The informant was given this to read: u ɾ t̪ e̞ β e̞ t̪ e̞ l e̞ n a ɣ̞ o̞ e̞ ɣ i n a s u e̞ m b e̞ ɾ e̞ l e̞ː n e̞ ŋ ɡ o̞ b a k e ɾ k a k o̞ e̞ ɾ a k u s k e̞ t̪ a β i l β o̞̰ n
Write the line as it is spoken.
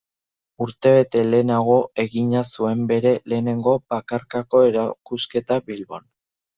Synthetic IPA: u ɾ t̪ e̞ β e̞ t̪ e̞ l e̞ n a ɣ̞ o̞ e̞ ɣ i ɲ a s u e̞ m b e̞ ɾ e̞ l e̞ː n e̞ ŋ ɡ o̞ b a k a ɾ k a k o̞ e̞ ɾ a k u s k e̞ t̪ a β i l β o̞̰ n